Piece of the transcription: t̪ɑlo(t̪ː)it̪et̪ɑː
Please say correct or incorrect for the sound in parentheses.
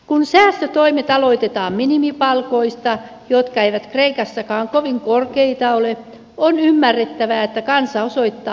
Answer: incorrect